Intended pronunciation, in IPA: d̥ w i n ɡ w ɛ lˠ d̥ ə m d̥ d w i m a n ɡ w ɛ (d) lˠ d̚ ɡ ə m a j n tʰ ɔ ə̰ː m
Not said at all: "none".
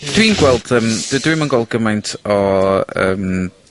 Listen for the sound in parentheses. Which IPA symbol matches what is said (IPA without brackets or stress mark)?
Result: none